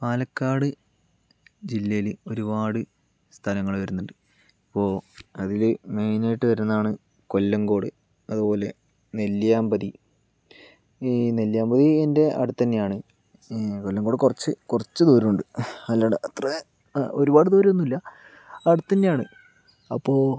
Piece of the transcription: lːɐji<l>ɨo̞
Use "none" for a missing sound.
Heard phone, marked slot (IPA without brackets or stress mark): l